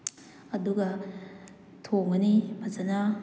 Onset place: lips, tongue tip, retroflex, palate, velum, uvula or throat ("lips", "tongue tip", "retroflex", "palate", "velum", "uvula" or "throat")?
tongue tip